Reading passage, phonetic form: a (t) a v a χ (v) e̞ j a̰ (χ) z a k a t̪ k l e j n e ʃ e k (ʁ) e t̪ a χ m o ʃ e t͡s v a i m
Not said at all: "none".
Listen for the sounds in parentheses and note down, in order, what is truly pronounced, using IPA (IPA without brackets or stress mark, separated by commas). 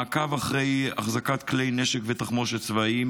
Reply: k, ʁ, χ, v